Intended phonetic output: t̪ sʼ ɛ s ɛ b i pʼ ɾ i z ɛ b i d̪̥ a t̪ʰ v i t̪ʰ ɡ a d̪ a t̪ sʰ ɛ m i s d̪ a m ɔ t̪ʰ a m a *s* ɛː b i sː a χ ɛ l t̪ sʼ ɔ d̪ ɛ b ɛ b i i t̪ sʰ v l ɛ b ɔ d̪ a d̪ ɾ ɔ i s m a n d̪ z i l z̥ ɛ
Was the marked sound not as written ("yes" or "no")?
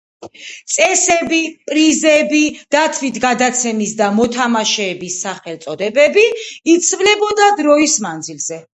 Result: yes